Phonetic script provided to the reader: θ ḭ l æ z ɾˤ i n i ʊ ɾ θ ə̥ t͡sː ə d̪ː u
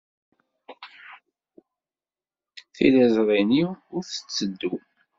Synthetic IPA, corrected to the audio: θ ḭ l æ z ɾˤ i n i ʊ ɾ θ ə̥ t͡sː ə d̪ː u